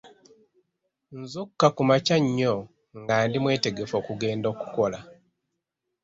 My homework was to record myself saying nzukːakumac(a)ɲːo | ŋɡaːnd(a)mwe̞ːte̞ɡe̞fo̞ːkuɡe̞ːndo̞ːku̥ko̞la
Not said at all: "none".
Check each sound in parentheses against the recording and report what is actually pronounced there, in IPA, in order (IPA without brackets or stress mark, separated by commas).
a, i